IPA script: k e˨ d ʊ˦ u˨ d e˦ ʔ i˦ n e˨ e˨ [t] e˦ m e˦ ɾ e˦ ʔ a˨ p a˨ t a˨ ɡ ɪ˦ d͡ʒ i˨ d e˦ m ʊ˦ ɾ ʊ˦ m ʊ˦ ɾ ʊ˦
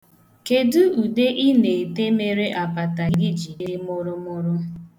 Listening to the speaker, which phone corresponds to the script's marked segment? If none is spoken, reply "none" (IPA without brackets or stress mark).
t